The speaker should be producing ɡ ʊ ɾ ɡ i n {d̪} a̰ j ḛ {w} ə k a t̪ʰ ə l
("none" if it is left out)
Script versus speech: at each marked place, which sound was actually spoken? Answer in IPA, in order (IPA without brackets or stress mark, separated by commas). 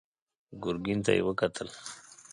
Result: t̪, w